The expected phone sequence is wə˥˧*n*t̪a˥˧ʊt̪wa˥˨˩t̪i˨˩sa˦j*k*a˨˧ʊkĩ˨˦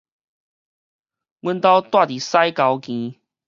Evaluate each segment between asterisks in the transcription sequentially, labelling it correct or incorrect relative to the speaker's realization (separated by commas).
correct, correct